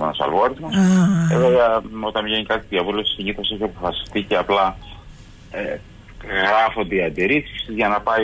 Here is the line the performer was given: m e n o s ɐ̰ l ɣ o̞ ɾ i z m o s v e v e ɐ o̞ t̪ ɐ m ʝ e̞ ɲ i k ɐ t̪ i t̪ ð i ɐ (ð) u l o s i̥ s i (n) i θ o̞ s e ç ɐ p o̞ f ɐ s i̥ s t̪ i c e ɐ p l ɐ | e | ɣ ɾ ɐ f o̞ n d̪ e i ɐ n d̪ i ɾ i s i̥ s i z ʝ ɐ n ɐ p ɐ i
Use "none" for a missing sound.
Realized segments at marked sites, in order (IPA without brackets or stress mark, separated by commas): v, ɲ